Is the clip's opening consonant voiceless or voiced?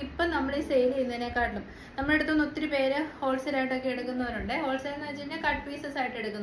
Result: voiceless